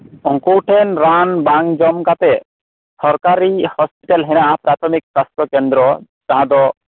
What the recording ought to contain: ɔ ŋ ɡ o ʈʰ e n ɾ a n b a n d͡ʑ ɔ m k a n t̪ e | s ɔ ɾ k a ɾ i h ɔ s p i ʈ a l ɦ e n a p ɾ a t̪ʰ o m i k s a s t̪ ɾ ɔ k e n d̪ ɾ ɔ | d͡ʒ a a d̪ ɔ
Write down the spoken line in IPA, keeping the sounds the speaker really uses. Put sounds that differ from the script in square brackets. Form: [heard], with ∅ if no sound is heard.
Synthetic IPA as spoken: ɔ ŋ [k] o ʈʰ e n ɾ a n b a [ŋ] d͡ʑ ɔ m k a [∅] t̪ e | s ɔ ɾ k a ɾ i h ɔ s p i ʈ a l ɦ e n a p ɾ a t̪ʰ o m i k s a s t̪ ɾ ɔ k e n d̪ ɾ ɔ | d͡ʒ a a d̪ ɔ